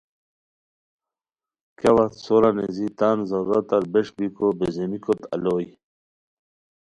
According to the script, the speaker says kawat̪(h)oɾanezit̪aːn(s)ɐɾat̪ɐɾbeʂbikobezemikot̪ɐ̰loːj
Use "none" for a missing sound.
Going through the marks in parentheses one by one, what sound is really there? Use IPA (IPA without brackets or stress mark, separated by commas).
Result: s, z